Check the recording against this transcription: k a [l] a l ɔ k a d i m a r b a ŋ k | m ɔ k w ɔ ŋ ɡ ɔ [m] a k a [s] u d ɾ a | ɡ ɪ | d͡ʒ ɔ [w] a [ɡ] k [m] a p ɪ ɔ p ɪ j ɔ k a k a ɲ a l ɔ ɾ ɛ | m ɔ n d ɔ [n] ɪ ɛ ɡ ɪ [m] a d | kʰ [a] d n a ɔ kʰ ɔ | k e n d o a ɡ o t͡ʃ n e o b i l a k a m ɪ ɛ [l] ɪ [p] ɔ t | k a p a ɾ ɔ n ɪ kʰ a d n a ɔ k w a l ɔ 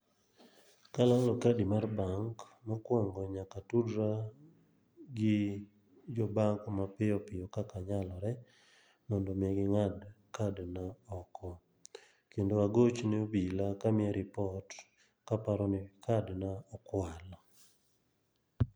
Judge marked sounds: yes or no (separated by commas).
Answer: yes, no, no, no, no, yes, no, no, yes, no, yes